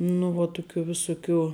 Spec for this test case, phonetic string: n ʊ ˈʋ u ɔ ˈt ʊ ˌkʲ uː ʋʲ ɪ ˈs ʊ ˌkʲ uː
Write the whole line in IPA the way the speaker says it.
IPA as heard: n ʊ ˈʋ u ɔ ˈt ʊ ˌkʲ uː ʋʲ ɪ ˈs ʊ ˌkʲ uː